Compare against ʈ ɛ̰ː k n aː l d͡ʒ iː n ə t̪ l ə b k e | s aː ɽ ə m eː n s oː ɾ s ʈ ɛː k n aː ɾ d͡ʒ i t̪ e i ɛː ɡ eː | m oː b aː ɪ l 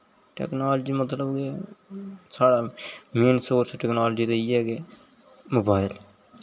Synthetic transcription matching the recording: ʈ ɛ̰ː k n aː l d͡ʒ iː m ə t̪ l ə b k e | s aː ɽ a m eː n s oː ɾ s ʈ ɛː k n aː l d͡ʒ i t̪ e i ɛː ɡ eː | m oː b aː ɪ l